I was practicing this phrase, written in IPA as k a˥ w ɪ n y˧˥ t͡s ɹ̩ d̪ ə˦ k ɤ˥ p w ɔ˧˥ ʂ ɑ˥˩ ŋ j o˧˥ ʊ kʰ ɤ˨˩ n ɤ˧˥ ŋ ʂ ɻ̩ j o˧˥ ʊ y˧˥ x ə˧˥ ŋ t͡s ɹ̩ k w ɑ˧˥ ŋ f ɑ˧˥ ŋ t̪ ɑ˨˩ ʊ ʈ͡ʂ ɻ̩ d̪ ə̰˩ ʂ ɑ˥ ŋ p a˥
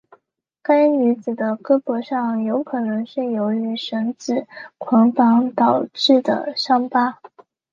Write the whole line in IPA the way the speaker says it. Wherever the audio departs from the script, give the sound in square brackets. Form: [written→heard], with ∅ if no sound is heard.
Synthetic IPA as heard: k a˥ [w→∅] ɪ n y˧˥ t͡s ɹ̩ d̪ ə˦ k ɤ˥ p w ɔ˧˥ ʂ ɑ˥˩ ŋ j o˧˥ ʊ kʰ ɤ˨˩ n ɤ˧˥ ŋ ʂ ɻ̩ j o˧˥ ʊ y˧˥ [x→ʂ] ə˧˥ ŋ t͡s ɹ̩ [k→kʰ] w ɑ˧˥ ŋ f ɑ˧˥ ŋ t̪ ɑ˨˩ ʊ ʈ͡ʂ ɻ̩ d̪ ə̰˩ ʂ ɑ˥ ŋ p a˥